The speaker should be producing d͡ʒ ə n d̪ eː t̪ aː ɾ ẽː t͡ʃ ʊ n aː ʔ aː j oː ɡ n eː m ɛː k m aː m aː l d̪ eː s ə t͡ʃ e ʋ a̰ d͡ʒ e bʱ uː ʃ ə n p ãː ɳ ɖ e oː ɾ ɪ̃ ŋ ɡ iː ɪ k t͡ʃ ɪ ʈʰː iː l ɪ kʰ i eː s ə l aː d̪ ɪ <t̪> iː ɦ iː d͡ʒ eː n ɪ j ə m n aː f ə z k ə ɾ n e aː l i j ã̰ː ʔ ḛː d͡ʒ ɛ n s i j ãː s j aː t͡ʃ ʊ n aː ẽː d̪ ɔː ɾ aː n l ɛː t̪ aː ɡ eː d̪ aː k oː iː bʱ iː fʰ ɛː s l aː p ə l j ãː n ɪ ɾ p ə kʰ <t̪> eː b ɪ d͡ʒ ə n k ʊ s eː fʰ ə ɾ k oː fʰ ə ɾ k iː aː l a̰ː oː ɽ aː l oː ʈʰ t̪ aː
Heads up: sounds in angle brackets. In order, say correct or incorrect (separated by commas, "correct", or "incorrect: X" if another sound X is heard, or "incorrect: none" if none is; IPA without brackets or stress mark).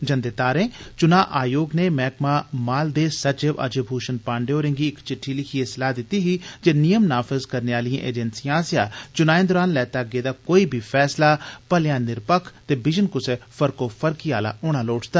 correct, correct